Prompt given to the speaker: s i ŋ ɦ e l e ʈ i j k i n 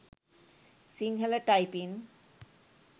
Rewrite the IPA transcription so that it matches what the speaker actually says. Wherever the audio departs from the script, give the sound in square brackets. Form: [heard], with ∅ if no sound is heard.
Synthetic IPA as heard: s i ŋ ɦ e l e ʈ [a] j [p] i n